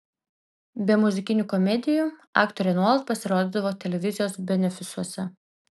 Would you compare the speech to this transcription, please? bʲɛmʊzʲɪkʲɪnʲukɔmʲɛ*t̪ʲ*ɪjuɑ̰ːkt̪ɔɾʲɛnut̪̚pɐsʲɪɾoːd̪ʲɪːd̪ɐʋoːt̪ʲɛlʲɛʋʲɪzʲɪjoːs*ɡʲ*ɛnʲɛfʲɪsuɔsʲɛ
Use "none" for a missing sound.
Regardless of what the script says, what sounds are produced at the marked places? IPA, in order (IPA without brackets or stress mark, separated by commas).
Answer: d̪ʲ, bʲ